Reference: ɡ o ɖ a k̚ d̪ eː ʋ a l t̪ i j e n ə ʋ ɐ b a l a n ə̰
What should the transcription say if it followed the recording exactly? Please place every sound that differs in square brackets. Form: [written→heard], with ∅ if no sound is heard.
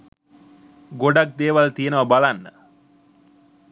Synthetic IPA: ɡ o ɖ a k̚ d̪ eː ʋ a l t̪ i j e n ə ʋ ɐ b a l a [n→nː] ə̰